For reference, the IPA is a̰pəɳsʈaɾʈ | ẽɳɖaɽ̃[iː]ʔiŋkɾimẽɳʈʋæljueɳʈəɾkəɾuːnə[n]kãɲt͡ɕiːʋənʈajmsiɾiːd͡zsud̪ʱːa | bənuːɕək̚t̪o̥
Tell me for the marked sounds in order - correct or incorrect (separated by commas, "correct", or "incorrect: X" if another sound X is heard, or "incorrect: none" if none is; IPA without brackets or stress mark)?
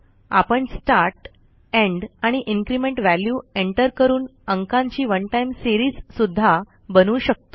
incorrect: i, incorrect: ŋ